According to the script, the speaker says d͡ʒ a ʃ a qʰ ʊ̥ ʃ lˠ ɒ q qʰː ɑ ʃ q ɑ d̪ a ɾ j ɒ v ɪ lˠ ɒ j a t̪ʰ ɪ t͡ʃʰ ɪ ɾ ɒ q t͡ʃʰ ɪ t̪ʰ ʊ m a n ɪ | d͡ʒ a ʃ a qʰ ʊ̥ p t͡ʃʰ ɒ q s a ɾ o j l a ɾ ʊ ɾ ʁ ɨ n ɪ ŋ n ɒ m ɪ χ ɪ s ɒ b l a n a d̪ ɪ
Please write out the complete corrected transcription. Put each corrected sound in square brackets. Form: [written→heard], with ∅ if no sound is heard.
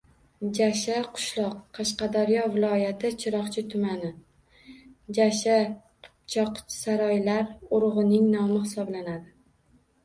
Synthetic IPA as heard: d͡ʒ a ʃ a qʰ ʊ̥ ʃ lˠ ɒ q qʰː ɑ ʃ q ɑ d̪ a ɾ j ɒ v ɪ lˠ ɒ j a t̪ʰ ɪ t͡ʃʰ ɪ ɾ ɒ q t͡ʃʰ ɪ t̪ʰ ʊ m a n ɪ | d͡ʒ a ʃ a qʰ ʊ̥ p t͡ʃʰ ɒ q s a ɾ [o→ɒ] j l a ɾ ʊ ɾ ʁ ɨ n ɪ ŋ n ɒ m ɪ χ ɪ s ɒ b l a n a d̪ ɪ

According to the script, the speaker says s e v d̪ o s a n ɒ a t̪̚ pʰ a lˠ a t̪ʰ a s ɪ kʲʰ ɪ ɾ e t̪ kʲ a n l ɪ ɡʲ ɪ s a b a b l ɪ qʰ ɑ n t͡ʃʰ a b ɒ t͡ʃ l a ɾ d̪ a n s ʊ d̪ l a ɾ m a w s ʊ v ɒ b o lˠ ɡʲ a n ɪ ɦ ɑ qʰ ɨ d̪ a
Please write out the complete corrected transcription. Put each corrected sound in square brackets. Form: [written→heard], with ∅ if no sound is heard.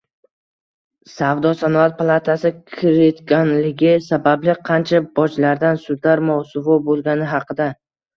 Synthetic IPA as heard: s [e→a] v d̪ [o→ɒ] s a n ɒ a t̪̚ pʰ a lˠ a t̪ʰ a s ɪ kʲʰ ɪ ɾ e t̪ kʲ a n l ɪ ɡʲ ɪ s a b a b l ɪ qʰ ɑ n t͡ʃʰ a b ɒ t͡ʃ l a ɾ d̪ a n s ʊ d̪ l a ɾ m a w s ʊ v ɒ b o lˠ ɡʲ a n ɪ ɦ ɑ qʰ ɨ d̪ a

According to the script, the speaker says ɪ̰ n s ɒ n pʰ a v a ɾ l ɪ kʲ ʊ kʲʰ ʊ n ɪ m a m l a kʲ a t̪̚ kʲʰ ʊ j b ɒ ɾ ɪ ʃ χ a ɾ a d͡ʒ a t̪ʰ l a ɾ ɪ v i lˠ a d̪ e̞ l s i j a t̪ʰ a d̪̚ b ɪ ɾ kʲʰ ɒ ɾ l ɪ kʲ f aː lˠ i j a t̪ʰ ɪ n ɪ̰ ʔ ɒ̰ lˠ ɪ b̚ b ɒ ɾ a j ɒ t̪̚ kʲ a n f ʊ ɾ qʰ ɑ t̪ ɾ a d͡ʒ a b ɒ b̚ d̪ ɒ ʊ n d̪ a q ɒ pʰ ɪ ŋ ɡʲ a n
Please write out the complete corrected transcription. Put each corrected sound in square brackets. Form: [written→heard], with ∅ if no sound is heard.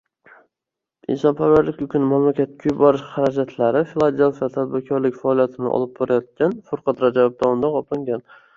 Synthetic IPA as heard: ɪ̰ n s ɒ n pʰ a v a ɾ l ɪ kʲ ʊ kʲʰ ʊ n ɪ m a m l a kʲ a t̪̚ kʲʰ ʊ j b ɒ ɾ ɪ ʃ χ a ɾ a d͡ʒ a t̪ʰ l a ɾ ɪ [v→f] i lˠ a d̪ e̞ l [s→f] i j a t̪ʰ a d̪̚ b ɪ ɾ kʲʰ ɒ ɾ l ɪ kʲ f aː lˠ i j a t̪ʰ ɪ n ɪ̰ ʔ ɒ̰ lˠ ɪ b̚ b ɒ ɾ a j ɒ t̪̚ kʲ a n f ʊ ɾ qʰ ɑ t̪ ɾ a d͡ʒ a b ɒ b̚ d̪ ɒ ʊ n d̪ a q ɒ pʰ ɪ ŋ ɡʲ a n

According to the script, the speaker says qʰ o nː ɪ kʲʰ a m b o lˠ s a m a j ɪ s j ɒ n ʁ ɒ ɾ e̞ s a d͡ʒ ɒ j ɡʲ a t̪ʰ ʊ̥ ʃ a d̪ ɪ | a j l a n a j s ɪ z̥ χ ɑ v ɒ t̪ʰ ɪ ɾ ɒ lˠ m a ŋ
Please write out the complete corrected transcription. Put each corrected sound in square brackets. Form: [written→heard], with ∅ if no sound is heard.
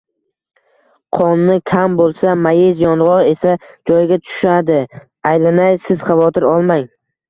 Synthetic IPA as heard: qʰ [o→ɒ] nː ɪ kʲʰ a m b o lˠ s a m a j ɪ [s→z] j ɒ n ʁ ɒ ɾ e̞ s a d͡ʒ ɒ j ɡʲ a t̪ʰ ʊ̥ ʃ a d̪ ɪ | a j l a n a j s ɪ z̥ χ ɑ v ɒ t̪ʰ ɪ ɾ ɒ lˠ m a ŋ

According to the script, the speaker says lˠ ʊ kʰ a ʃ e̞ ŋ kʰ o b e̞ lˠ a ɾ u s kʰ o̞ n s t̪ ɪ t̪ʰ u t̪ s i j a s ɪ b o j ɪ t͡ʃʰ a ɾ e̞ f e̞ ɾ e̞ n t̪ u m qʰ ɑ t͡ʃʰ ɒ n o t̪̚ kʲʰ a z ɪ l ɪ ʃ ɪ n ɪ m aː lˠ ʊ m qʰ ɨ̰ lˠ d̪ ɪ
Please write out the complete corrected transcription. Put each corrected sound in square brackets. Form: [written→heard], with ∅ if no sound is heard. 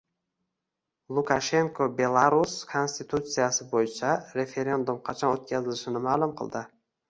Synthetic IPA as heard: lˠ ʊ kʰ a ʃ e̞ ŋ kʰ o b e̞ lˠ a ɾ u s kʰ o̞ n s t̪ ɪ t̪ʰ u t̪ s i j a s ɪ b o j ɪ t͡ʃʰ a ɾ e̞ f e̞ ɾ e̞ n [t̪→d̪] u m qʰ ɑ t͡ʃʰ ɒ n o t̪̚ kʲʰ a z ɪ l ɪ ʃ ɪ n ɪ m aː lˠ ʊ m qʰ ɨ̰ lˠ d̪ ɪ

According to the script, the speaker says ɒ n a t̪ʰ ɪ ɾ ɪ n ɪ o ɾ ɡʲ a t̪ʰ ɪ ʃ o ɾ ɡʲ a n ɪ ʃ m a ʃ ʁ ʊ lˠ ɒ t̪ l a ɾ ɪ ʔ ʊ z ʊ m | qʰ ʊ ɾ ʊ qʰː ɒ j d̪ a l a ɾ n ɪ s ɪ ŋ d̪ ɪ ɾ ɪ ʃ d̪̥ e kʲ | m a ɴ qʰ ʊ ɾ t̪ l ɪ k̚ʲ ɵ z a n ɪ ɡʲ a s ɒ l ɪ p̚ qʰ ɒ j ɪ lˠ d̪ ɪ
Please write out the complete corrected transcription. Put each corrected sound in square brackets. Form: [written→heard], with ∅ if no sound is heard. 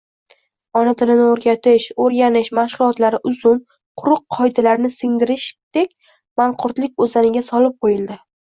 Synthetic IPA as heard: ɒ n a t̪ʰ ɪ [ɾ→l] ɪ n ɪ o ɾ ɡʲ a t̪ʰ ɪ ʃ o ɾ ɡʲ a n ɪ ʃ m a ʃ ʁ ʊ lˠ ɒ t̪ l a ɾ ɪ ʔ ʊ z ʊ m | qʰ ʊ ɾ ʊ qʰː ɒ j d̪ a l a ɾ n ɪ s ɪ ŋ d̪ ɪ ɾ ɪ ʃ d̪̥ e kʲ | m a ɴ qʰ ʊ ɾ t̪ l ɪ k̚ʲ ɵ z a n ɪ ɡʲ a s ɒ l ɪ p̚ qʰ [ɒ→o] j ɪ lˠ d̪ ɪ

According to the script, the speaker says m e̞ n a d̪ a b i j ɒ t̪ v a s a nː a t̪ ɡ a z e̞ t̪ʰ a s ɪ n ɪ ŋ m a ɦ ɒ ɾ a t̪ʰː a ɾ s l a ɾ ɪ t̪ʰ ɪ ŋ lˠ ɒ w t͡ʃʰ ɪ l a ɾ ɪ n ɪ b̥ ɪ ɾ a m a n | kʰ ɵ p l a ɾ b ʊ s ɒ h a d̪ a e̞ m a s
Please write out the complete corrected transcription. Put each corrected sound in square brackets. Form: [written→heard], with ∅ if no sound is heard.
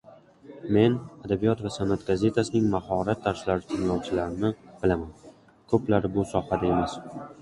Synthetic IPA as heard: m e̞ n a d̪ a b i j ɒ t̪ v a s a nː a t̪ ɡ a z e̞ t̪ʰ a s ɪ n ɪ ŋ m a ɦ ɒ ɾ a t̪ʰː a ɾ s l a ɾ ɪ t̪ʰ ɪ ŋ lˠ ɒ w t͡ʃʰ ɪ l a ɾ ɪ n ɪ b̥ ɪ [ɾ→l] a m a n | kʰ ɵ p l a ɾ b ʊ s ɒ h a d̪ a e̞ m a s

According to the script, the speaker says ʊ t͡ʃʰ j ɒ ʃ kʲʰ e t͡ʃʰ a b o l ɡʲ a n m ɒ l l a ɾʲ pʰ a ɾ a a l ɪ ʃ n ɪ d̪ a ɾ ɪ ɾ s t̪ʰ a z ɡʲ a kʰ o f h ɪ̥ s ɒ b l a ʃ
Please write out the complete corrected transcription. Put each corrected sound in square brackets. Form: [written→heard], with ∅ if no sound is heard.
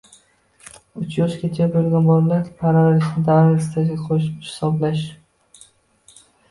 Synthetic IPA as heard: ʊ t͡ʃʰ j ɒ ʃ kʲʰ e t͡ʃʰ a b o l ɡʲ a n [m→b] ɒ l l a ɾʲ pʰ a ɾ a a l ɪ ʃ n ɪ d̪ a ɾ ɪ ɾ s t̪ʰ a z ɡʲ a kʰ o [f→ʃ] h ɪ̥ s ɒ b l a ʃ

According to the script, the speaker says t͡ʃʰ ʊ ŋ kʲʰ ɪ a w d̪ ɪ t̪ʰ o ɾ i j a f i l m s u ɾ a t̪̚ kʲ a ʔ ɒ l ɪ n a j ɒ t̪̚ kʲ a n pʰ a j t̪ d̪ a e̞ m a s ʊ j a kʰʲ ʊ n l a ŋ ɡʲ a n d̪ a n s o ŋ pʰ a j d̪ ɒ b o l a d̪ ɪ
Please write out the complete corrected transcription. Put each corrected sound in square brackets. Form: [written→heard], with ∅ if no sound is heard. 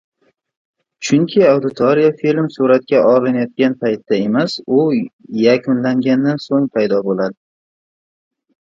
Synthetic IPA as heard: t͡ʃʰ ʊ ŋ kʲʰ ɪ a w d̪ ɪ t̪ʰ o ɾ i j a f i l m s u ɾ a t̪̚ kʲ a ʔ ɒ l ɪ n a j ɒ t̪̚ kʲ a n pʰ a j t̪ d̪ a e̞ m a s ʊ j a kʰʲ ʊ n l a ŋ ɡʲ a n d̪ a n s o ŋ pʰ a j d̪ ɒ b o l a d̪ ɪ

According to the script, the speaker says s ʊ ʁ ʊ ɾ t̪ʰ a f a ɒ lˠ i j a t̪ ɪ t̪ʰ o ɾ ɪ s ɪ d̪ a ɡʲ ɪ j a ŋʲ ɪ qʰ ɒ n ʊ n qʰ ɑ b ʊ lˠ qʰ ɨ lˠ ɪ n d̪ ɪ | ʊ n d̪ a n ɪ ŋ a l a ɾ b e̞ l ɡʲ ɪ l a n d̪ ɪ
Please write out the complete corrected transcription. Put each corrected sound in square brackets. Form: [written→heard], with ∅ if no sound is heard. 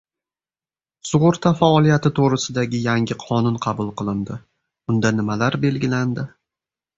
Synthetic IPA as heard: s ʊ ʁ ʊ ɾ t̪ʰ a f a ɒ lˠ i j a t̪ ɪ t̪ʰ o ɾ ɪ s ɪ d̪ a ɡʲ ɪ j a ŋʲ ɪ qʰ ɒ n ʊ n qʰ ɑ b ʊ lˠ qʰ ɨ lˠ ɪ n d̪ ɪ | ʊ n d̪ a n ɪ [ŋ→m] a l a ɾ b e̞ l ɡʲ ɪ l a n d̪ ɪ

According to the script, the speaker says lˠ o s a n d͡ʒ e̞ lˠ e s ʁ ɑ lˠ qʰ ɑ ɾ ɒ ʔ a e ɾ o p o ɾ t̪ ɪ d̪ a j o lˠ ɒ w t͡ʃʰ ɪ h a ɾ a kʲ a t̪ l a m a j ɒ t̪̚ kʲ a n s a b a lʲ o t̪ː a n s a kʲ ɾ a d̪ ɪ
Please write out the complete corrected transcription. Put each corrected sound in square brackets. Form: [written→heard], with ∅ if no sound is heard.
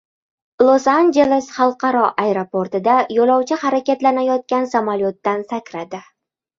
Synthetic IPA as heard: lˠ o s a n d͡ʒ e̞ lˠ e s [ʁ→χ] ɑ lˠ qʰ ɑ ɾ ɒ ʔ a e ɾ o p o ɾ t̪ ɪ d̪ a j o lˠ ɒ w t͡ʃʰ ɪ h a ɾ a kʲ a t̪ l a [m→n] a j ɒ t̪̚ kʲ a n s a [b→m] a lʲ o t̪ː a n s a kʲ ɾ a d̪ ɪ

